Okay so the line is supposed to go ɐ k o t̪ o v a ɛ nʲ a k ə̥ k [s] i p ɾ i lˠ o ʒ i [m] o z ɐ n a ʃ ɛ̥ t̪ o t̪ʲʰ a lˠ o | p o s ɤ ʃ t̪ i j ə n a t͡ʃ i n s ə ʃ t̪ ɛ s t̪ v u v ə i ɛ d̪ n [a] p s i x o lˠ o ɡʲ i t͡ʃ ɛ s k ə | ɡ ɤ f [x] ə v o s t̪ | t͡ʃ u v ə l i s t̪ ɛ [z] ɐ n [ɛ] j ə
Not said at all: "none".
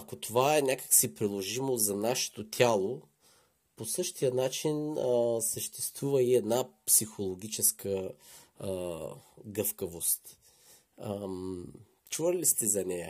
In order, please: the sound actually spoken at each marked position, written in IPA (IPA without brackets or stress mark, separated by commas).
s, m, a, k, z, ɛ